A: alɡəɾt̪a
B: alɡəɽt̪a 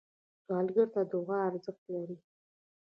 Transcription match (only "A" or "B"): A